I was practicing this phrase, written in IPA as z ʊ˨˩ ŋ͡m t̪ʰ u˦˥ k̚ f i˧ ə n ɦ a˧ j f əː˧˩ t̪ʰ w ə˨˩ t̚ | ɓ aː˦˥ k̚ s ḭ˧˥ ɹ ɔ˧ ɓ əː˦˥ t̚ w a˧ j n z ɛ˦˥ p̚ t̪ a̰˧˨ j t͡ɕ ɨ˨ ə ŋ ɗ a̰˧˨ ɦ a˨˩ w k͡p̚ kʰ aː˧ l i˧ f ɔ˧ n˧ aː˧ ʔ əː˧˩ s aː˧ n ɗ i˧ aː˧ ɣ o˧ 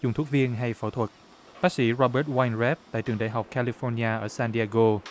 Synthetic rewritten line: z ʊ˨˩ ŋ͡m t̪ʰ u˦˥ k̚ v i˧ ə n ɦ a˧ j f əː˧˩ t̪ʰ w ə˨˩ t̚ | ɓ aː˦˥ k̚ s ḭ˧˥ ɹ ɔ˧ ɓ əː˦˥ t̚ w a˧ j n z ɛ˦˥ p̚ t̪ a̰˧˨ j t͡ɕ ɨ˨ ə ŋ ɗ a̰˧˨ ɦ a˨˩ w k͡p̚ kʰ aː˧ l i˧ f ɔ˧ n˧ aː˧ ʔ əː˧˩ s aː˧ n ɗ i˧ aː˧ ɣ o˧